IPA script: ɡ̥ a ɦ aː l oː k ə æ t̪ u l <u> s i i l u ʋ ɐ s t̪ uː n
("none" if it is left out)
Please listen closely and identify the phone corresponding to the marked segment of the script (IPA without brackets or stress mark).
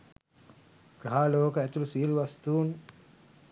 u